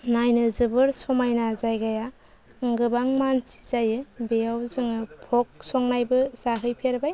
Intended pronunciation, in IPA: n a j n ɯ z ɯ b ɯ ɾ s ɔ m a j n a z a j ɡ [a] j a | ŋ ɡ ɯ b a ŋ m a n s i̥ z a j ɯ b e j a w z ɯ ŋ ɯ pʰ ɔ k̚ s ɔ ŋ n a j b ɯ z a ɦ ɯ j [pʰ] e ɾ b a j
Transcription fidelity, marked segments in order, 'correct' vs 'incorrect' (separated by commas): correct, correct